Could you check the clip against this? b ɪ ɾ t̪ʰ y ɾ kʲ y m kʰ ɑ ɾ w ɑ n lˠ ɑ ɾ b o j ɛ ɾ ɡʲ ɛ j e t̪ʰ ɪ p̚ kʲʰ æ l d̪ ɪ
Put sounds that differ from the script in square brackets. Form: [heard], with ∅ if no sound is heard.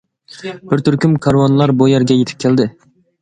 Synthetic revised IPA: b ɪ ɾ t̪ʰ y ɾ kʲ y m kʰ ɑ ɾ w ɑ n lˠ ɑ ɾ b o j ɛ ɾ ɡʲ ɛ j e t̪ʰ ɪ p̚ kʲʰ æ l d̪ ɪ